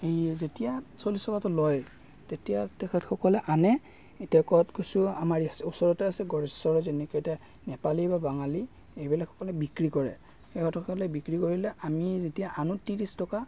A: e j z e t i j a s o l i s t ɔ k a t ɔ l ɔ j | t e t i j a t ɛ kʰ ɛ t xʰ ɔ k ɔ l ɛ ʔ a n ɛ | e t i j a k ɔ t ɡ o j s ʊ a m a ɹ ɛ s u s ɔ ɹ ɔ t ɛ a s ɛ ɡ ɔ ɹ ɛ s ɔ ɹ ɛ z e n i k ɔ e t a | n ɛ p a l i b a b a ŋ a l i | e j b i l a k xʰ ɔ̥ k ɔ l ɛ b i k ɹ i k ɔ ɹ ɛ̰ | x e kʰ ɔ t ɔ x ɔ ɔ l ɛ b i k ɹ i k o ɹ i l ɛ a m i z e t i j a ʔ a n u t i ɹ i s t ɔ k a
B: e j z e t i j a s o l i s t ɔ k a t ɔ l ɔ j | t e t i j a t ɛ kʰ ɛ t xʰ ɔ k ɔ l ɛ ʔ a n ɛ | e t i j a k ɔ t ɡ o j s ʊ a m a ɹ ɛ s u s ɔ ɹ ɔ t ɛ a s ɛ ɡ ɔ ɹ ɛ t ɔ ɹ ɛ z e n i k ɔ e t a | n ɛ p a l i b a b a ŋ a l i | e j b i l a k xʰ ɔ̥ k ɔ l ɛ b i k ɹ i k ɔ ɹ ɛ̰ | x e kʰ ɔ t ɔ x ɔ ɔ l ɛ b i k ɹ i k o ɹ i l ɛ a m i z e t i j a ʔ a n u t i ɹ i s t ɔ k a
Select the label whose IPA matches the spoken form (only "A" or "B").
A